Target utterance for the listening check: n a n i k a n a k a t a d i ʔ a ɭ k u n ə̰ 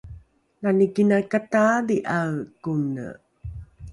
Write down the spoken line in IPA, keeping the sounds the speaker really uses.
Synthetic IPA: n a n i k i n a k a t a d i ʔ a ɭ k u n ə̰